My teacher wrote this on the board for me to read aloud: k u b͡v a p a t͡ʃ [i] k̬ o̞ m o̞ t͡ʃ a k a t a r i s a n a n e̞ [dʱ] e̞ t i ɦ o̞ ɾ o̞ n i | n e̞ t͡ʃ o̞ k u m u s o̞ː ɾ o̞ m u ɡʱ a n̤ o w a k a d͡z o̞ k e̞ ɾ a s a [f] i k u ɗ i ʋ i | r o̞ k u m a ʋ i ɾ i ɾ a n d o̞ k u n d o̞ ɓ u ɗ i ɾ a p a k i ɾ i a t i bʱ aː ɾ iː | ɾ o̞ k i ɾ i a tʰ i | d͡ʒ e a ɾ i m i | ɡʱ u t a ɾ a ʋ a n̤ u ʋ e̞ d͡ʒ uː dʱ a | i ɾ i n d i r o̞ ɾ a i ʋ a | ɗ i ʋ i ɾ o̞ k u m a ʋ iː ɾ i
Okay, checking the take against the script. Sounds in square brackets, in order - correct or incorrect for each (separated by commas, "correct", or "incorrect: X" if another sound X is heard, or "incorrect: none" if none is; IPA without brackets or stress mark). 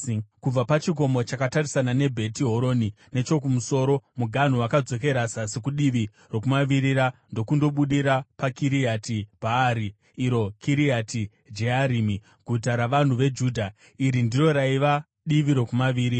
correct, incorrect: bʱ, incorrect: s